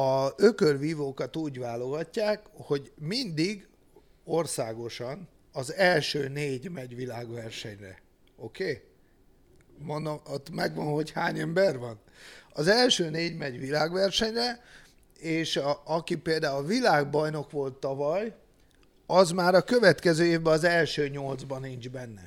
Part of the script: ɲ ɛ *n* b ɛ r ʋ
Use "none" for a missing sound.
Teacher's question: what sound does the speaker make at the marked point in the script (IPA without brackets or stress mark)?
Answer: m